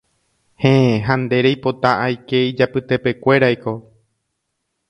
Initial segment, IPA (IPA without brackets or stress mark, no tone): h